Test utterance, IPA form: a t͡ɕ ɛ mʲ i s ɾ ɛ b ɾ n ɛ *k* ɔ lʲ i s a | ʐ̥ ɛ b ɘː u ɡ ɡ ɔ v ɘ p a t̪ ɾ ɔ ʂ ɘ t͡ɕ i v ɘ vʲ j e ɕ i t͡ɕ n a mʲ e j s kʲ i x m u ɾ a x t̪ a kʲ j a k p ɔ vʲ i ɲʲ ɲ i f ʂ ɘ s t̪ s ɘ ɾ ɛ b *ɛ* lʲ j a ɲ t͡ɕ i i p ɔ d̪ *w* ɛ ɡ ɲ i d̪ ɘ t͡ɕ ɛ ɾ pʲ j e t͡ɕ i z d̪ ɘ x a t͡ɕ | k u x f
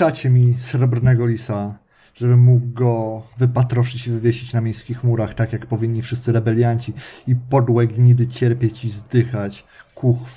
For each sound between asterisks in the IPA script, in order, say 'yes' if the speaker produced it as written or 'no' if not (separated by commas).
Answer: no, yes, yes